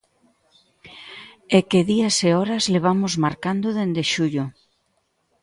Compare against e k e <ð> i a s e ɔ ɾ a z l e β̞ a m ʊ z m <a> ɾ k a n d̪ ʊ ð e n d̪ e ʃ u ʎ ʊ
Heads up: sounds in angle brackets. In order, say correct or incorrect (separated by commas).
correct, correct